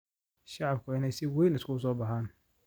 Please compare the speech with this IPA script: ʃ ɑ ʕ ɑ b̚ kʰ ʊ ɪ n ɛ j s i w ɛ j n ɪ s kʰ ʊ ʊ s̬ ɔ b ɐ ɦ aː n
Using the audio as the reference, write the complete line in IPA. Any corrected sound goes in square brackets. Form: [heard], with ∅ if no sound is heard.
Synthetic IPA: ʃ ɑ ʕ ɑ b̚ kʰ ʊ ɪ n ɛ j s [ɪ] w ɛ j n ɪ s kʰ ʊ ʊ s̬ [ɔː] b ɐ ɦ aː n